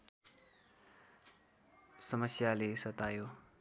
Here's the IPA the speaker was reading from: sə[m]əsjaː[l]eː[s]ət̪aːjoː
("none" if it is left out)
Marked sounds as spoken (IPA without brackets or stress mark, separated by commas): m, l, s